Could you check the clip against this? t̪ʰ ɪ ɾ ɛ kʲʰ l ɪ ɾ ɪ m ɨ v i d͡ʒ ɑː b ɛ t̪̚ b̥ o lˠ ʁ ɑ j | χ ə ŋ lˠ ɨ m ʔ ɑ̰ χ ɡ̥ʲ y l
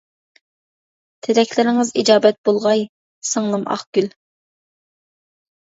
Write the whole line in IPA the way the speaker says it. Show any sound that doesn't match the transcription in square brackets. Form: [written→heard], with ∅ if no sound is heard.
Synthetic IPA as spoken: t̪ʰ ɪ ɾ ɛ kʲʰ l ɪ ɾ ɪ [m→ŋ] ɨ [v→z] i d͡ʒ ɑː b ɛ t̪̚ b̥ o lˠ ʁ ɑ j | [χ→s] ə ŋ lˠ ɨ m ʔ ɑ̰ χ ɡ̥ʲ y l